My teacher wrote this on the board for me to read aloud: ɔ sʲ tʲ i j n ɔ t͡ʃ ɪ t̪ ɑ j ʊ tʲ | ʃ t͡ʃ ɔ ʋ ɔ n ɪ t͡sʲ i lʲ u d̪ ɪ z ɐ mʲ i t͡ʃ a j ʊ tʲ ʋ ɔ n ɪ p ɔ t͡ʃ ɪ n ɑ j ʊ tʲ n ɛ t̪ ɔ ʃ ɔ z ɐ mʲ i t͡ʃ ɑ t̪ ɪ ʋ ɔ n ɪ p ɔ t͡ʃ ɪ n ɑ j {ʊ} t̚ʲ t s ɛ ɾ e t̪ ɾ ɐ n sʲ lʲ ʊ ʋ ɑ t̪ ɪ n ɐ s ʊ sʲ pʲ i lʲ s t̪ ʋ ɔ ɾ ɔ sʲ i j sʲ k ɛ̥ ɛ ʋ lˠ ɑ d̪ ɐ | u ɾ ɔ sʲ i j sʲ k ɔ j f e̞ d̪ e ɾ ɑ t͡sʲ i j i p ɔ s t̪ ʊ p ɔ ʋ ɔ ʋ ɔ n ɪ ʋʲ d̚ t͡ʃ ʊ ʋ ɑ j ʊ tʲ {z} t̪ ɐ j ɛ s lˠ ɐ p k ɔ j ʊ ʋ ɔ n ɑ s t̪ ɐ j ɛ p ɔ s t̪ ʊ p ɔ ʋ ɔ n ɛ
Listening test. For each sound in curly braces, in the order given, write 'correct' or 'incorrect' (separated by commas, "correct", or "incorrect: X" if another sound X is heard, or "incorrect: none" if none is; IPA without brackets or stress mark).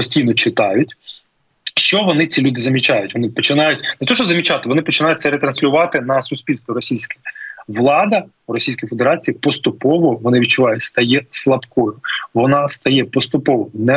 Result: correct, incorrect: s